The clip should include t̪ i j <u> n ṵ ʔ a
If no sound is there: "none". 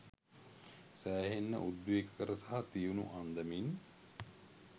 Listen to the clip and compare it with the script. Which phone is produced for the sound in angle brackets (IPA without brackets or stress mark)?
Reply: u